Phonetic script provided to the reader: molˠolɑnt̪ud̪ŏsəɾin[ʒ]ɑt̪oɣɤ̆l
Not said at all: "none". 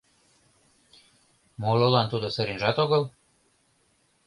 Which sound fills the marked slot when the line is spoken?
ʒ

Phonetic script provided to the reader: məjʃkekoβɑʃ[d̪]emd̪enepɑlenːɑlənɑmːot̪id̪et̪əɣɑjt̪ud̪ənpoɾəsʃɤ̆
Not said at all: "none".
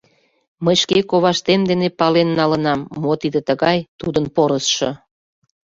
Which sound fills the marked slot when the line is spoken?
t̪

